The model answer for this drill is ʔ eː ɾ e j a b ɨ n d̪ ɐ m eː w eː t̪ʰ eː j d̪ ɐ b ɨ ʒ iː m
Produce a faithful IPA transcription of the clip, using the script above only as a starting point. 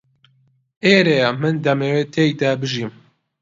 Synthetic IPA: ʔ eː ɾ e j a m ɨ n d̪ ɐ m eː w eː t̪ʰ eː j d̪ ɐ b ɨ ʒ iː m

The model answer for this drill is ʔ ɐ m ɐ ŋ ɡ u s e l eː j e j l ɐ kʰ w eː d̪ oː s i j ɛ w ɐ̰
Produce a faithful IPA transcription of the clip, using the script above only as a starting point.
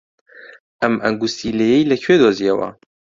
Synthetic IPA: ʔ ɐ m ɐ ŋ ɡ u s i l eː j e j l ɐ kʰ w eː d̪ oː z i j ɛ w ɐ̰

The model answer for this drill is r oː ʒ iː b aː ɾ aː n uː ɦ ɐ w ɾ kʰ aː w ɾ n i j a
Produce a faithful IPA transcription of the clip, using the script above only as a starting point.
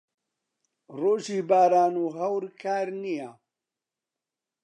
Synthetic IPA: r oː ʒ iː b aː ɾ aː n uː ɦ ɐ w ɾ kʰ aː ɾ n i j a

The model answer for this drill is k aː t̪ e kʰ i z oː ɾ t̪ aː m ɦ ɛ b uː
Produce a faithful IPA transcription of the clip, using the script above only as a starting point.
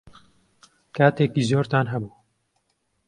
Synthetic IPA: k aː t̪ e k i z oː ɾ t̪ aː n ɦ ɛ b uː

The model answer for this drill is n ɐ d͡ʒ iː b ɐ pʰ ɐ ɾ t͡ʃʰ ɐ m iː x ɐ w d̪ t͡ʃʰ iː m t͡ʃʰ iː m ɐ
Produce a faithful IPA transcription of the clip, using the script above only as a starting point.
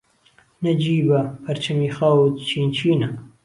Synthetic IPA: n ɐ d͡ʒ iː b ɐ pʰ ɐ ɾ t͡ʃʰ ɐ m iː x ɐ w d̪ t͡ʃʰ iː n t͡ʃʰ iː n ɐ

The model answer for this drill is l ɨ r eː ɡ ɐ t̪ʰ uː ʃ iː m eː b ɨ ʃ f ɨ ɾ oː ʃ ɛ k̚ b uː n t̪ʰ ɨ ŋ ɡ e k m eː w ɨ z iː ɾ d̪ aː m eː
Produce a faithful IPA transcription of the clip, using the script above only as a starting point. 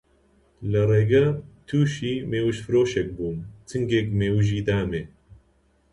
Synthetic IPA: l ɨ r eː ɡ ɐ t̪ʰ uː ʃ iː m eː w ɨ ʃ f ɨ ɾ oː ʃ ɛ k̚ b uː n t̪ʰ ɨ ŋ ɡ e k m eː w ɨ ʒ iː d̪ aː m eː

